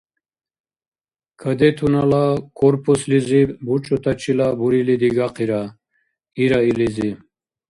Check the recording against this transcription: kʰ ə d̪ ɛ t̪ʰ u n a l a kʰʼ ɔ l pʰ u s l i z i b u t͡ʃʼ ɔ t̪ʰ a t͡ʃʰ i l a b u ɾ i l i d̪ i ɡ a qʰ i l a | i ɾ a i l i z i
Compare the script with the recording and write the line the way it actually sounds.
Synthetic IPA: kʰ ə d̪ ɛ t̪ʰ u n a l a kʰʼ ɔ ɾ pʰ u s l i z i b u t͡ʃʼ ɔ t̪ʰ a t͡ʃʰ i l a b u ɾ i l i d̪ i ɡ a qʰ i ɾ a | i ɾ a i l i z i